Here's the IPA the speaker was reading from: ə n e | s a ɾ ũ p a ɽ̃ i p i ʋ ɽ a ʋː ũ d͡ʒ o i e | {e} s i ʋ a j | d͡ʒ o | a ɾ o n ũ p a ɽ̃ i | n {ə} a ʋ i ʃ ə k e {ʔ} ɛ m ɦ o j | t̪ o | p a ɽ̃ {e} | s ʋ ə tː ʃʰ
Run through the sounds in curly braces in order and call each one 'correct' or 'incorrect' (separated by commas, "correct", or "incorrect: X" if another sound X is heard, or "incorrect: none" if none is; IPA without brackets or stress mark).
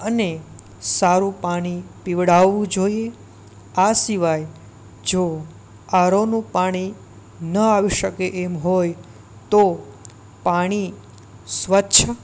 incorrect: a, correct, correct, incorrect: i